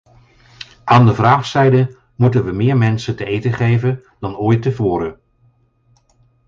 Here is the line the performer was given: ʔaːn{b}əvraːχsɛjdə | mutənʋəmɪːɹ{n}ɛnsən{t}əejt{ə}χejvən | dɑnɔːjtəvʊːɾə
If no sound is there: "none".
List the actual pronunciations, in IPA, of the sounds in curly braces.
d, m, t, ə

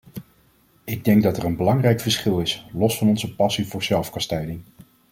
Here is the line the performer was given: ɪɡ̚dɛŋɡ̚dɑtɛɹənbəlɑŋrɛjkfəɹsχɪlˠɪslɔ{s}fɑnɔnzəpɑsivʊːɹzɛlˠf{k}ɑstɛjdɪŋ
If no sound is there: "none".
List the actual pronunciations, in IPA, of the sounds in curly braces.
s, k

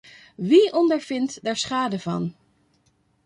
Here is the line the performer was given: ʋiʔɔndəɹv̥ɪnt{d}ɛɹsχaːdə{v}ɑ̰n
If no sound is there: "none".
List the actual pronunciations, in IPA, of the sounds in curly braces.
d, v

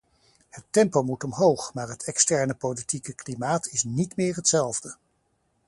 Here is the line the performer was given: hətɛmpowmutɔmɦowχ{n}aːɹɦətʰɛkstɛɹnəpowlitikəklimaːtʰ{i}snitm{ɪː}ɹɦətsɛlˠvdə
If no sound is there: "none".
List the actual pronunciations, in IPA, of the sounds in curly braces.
m, ɪ, ɪː

